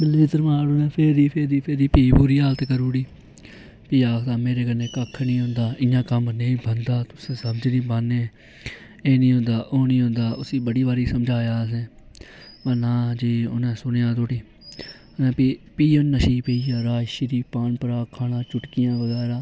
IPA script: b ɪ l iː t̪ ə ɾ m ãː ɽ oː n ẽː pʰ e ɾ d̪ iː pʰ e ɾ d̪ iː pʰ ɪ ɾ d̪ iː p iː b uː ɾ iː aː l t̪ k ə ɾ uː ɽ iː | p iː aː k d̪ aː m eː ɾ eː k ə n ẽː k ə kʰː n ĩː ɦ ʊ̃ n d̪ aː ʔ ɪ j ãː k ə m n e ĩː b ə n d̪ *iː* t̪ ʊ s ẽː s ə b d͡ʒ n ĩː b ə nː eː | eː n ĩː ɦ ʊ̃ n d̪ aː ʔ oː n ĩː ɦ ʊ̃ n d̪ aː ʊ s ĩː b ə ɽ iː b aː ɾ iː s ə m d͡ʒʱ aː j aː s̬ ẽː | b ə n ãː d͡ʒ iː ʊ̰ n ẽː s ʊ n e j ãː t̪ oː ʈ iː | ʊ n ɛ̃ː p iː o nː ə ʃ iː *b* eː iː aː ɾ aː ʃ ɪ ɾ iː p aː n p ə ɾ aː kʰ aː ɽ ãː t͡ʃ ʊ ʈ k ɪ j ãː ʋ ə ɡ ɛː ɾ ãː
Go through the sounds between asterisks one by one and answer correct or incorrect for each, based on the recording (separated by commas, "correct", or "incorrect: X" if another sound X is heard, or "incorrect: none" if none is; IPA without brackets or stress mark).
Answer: incorrect: aː, incorrect: p